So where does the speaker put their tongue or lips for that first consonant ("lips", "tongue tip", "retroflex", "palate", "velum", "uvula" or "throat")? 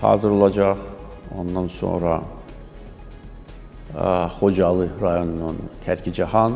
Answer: throat